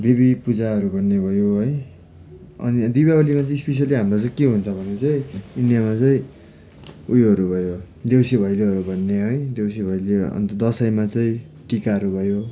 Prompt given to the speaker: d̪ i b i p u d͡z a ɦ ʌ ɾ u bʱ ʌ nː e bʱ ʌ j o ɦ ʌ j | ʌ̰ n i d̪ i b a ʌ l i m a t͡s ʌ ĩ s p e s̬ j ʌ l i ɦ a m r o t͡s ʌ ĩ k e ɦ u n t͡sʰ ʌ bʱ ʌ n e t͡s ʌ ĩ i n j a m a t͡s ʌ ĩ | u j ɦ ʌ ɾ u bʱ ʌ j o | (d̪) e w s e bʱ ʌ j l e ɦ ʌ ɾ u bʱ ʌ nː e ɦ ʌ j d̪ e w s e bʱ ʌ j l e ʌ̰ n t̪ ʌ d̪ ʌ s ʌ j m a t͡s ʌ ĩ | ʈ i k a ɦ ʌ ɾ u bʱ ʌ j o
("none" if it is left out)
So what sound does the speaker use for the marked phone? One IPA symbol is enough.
d̪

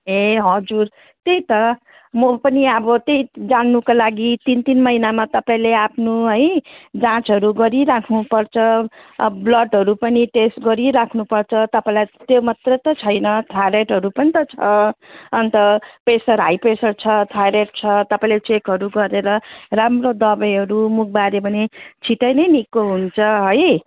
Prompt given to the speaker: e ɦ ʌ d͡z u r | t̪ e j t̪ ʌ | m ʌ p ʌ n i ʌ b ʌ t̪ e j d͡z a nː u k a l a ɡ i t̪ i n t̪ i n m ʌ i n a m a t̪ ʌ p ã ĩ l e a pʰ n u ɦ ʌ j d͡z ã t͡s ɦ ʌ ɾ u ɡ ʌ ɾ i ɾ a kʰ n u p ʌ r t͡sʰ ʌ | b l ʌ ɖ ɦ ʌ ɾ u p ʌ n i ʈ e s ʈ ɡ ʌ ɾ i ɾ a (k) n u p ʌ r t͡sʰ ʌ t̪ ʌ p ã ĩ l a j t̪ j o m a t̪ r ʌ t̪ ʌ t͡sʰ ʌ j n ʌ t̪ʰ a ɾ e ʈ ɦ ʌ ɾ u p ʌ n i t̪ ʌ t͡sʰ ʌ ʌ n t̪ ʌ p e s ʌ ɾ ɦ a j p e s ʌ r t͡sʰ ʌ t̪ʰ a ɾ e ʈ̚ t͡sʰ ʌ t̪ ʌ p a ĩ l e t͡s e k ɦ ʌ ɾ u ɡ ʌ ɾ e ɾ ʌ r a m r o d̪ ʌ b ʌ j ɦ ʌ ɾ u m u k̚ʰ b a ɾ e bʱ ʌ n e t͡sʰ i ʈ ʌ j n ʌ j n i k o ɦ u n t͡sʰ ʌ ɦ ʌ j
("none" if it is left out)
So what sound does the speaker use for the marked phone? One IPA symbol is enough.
kʰ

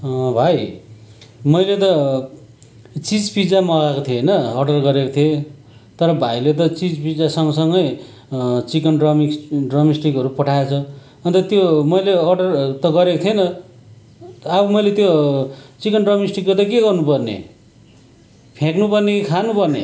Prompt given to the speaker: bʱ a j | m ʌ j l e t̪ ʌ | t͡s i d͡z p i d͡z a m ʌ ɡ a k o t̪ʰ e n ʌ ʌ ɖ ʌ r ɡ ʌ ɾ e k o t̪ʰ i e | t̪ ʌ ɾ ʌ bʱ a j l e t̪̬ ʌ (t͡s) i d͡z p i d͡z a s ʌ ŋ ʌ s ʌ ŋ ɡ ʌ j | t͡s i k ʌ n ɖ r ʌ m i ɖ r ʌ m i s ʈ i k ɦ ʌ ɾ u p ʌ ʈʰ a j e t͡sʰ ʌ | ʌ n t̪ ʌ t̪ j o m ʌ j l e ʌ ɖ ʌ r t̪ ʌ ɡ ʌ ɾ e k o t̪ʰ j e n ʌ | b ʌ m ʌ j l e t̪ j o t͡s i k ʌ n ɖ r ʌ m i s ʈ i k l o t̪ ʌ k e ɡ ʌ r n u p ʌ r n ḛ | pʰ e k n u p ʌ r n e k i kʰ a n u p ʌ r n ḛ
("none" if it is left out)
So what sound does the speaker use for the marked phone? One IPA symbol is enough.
t͡s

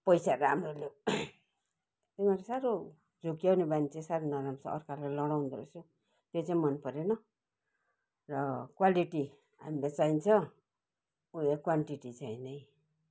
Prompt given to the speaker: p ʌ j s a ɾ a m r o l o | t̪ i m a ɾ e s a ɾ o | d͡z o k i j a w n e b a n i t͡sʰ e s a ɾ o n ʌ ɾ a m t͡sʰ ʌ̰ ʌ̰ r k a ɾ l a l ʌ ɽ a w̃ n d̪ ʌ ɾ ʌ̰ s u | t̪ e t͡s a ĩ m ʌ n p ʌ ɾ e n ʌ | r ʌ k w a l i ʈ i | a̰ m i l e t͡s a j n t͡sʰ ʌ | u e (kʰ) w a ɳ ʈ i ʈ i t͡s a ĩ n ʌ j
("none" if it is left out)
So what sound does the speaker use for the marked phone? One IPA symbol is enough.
k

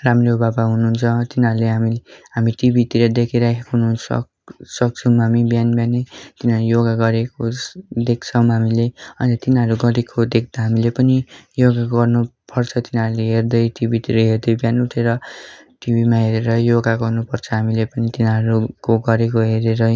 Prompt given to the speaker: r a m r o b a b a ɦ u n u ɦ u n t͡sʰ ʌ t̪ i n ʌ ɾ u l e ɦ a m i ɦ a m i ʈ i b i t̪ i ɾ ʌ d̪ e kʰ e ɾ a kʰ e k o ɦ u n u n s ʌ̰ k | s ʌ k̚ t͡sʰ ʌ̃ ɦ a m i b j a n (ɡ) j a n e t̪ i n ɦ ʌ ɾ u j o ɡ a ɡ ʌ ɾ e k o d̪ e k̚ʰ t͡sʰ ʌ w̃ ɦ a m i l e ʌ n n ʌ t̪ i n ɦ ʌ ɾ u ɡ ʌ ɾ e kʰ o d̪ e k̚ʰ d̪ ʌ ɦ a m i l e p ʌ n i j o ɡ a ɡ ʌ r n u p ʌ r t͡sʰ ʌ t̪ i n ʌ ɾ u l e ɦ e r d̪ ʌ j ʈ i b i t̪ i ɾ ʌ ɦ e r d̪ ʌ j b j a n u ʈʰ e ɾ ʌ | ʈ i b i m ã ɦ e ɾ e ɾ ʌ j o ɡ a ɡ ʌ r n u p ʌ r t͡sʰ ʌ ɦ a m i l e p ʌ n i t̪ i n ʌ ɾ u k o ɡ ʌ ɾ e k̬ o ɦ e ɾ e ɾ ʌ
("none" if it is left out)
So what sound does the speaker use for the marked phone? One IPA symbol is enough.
b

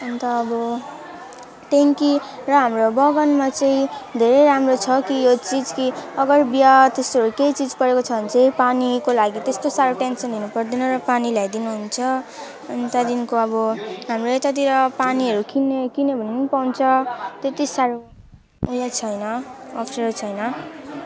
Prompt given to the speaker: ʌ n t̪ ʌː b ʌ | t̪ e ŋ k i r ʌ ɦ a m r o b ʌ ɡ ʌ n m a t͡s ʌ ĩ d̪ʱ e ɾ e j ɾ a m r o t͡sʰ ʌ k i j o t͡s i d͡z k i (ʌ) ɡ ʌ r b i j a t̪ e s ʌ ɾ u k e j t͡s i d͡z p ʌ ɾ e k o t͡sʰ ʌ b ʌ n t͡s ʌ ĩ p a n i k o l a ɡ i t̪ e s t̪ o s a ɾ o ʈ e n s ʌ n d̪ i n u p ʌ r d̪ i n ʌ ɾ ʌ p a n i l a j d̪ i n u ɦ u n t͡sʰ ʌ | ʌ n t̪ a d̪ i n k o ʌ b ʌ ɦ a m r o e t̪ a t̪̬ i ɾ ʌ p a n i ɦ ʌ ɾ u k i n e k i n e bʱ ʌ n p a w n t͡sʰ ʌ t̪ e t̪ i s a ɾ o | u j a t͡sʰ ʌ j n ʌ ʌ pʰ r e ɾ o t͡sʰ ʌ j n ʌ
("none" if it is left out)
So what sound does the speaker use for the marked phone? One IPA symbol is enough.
ʌ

